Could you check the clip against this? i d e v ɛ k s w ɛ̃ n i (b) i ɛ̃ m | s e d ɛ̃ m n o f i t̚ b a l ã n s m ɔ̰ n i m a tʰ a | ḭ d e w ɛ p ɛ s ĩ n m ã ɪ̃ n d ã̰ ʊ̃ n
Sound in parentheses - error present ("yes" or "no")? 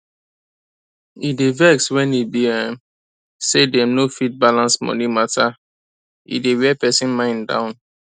no